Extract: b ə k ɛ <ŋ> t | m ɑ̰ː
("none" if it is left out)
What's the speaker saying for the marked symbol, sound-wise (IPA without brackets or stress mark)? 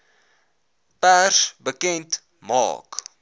n